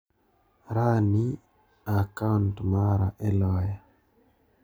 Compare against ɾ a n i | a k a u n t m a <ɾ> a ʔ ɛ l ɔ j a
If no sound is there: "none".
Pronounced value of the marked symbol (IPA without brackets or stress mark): ɾ